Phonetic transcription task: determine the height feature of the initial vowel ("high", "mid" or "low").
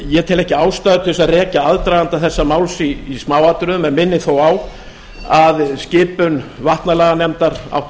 mid